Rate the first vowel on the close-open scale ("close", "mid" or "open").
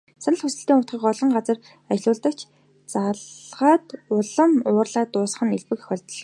open